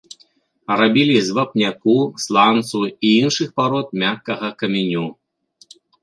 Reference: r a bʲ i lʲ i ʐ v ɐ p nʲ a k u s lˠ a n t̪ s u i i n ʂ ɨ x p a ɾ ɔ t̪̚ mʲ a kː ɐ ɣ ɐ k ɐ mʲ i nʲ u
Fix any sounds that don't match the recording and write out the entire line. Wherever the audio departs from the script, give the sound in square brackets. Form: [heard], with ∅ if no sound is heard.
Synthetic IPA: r a bʲ i lʲ i [z] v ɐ p nʲ a k u s lˠ a n t̪ s u i i n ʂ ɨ x p a ɾ ɔ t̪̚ mʲ a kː ɐ ɣ ɐ k ɐ mʲ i nʲ u